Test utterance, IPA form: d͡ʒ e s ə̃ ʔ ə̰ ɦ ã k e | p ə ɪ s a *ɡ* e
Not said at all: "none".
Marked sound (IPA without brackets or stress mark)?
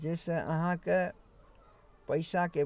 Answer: k